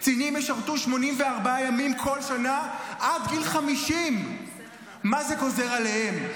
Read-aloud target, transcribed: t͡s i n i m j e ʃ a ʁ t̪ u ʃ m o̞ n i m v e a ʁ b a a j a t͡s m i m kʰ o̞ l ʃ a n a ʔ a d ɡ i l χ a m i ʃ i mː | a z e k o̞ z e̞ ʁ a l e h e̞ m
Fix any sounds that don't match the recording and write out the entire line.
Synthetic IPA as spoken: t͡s i n i m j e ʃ a ʁ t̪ u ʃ m o̞ n i m v e a ʁ b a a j a m i m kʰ o̞ l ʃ a n a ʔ a d ɡ i l χ a m i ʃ i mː | a z e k o̞ z e̞ ʁ a l e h e̞ m